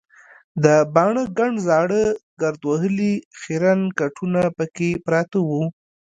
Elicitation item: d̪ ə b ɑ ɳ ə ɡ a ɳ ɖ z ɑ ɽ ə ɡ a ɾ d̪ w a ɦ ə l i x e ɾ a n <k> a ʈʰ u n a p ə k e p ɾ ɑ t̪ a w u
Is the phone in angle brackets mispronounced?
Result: no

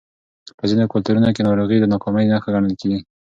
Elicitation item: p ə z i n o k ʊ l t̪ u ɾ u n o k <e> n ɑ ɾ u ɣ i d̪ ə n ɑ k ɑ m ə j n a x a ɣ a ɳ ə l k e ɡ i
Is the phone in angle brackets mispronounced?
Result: no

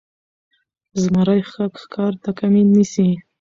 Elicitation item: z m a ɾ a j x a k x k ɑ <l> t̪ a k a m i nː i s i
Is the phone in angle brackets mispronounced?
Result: yes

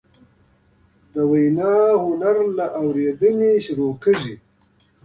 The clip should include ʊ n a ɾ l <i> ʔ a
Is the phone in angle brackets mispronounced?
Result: yes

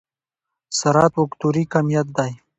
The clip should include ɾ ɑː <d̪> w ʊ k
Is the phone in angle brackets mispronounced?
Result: yes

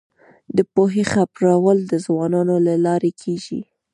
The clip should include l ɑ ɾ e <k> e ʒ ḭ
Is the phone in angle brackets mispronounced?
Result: yes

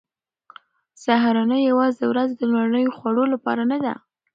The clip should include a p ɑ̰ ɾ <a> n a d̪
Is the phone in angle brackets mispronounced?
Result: no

